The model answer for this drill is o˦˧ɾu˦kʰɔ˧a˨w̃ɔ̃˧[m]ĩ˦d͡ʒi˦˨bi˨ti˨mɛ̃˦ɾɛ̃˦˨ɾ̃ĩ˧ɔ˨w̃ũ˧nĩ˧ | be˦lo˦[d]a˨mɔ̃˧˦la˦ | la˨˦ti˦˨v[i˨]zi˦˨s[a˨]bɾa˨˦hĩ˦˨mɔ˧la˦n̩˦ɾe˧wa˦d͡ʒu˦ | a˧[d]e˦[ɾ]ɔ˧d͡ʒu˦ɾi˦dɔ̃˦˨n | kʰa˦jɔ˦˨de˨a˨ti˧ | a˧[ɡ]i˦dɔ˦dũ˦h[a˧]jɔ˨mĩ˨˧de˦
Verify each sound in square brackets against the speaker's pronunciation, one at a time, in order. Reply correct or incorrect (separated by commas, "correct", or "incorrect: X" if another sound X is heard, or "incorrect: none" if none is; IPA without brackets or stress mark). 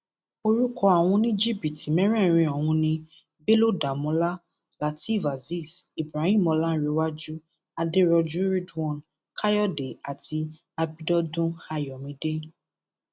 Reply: incorrect: n, correct, incorrect: a˨, incorrect: i˨, correct, correct, incorrect: b, correct